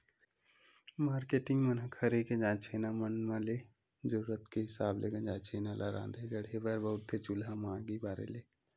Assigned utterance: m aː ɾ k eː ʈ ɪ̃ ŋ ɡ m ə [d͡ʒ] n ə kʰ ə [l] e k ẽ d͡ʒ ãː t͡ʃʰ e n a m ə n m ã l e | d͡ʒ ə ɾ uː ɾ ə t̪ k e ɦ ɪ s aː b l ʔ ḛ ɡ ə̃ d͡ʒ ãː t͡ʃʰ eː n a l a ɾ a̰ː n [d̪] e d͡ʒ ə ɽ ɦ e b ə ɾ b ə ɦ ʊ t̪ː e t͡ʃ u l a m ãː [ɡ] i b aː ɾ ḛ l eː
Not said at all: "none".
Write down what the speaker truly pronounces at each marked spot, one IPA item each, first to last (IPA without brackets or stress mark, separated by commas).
none, ɾ, d̪, ɡ